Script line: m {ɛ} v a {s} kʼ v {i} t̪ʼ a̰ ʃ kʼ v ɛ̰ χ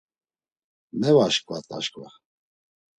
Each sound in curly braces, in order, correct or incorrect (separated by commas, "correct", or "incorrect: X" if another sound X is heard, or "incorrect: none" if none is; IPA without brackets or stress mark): correct, incorrect: ʃ, incorrect: a